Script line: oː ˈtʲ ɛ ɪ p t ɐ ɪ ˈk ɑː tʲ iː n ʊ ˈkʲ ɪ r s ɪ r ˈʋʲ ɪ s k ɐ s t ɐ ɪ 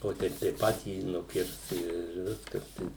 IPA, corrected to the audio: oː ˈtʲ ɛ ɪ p t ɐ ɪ ˈp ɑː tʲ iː n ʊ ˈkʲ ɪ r s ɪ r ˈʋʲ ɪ s k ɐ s t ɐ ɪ